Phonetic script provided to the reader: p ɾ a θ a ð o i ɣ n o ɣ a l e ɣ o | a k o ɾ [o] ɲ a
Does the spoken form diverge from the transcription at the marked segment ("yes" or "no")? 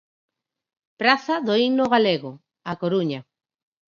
yes